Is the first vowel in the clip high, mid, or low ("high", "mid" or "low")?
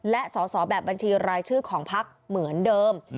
mid